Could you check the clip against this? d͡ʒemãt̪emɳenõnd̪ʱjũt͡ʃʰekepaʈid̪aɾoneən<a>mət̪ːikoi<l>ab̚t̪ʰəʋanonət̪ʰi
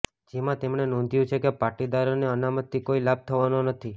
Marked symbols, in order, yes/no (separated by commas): yes, yes